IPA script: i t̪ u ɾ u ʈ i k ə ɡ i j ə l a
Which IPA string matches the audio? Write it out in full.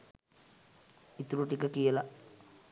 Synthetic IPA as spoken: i t̪ u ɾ u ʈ i k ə k i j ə l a

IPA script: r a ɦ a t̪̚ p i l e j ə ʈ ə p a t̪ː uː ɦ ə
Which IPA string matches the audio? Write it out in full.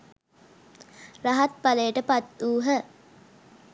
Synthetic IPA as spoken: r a ɦ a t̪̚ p a l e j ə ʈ ə p a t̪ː uː ɦ ə

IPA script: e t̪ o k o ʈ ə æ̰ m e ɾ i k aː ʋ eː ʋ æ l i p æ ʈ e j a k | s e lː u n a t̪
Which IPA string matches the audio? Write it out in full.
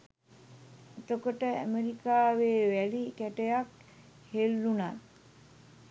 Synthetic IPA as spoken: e t̪ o k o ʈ ə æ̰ m e ɾ i k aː ʋ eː ʋ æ l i k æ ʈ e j a k | h e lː u n a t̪

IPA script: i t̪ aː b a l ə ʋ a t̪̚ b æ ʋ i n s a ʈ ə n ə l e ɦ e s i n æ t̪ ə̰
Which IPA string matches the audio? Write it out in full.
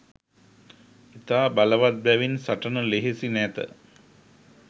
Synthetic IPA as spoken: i t̪ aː b a l ə ʋ a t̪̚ b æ ʋ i n s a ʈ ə n ə l e ɦ e s i n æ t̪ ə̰

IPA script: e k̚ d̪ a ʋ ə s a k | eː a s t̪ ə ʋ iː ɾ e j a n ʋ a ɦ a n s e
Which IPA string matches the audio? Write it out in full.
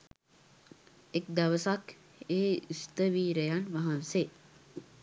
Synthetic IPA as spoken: e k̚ d̪ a ʋ ə s a k | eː i s t̪ ə ʋ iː ɾ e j a n ʋ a ɦ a n s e

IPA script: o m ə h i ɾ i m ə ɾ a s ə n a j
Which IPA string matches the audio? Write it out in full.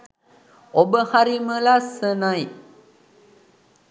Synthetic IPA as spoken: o b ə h a ɾ i m ə l a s ə n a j

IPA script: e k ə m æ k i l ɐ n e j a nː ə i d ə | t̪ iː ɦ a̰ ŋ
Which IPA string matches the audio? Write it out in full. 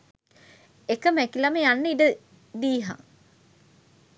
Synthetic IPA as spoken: e k ə m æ k i l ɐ m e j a nː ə i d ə | d̪ iː ɦ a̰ ŋ

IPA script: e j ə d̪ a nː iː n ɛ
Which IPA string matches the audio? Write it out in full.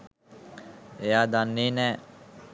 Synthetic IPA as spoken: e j a d̪ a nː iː n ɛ

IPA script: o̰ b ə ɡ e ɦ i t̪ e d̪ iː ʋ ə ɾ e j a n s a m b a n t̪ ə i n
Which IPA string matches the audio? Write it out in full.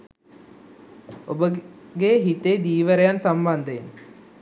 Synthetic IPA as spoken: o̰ b ə ɡ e ɦ i t̪ e d̪ iː ʋ ə ɾ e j a n s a m b a n d̪ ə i n

